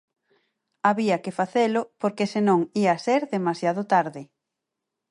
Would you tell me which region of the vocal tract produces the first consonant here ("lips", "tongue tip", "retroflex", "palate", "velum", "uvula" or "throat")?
lips